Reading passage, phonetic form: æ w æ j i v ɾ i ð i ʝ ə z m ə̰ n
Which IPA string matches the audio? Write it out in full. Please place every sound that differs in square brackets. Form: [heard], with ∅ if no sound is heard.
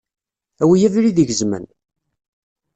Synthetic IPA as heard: æ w [i] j [æ] v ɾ i ð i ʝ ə z m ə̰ n